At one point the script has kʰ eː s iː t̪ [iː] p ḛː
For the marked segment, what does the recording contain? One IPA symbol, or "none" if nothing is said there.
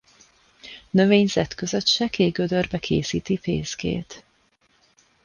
i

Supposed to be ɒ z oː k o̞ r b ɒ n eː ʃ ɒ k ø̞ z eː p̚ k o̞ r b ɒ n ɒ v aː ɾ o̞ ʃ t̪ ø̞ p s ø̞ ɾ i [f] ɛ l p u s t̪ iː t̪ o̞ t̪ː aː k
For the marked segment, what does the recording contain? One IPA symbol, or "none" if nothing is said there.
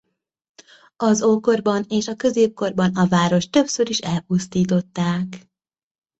ʃ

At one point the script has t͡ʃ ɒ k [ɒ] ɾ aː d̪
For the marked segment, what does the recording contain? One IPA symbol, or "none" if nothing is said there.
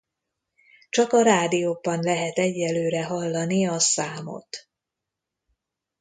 ɒ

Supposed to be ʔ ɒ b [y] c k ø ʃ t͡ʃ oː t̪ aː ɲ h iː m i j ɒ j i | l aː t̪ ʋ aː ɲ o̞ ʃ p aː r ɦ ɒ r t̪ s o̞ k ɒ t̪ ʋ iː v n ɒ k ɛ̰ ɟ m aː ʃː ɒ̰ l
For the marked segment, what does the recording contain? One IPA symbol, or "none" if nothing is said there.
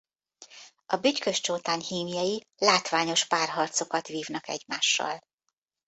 y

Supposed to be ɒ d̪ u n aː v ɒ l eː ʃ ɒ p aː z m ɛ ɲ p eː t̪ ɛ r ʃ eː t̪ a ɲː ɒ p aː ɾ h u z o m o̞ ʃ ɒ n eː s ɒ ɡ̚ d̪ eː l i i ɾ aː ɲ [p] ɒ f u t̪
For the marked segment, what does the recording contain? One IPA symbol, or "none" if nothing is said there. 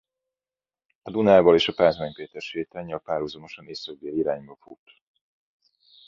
b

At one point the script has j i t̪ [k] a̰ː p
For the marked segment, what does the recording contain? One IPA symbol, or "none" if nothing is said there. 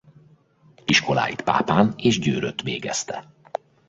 p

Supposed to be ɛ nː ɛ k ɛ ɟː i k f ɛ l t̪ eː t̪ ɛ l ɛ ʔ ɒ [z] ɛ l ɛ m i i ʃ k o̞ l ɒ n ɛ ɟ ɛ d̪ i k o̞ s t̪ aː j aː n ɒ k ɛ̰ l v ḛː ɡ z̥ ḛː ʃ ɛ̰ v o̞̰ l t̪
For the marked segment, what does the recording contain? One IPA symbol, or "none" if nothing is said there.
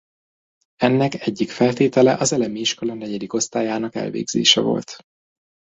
z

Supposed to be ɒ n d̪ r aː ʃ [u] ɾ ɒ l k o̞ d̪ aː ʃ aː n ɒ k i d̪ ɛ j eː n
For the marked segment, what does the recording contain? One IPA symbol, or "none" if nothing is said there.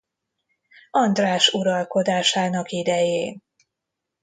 u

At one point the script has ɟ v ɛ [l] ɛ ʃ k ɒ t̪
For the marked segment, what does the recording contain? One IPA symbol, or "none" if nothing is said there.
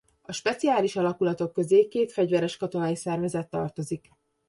ɾ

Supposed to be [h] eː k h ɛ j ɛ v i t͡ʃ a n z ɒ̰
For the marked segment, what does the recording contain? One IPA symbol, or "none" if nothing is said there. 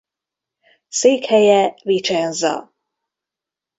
s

